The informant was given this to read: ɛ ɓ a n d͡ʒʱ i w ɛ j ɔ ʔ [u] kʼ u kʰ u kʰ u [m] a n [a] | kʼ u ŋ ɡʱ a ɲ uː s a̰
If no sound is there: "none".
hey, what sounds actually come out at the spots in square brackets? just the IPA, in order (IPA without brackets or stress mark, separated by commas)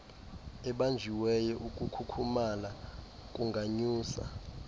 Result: u, m, a